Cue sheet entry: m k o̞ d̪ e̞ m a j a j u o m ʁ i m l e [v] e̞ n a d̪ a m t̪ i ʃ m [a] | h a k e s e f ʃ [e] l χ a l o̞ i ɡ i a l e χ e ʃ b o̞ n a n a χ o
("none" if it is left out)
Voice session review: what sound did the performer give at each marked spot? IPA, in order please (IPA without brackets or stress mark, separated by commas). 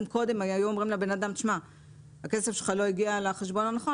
b, a, e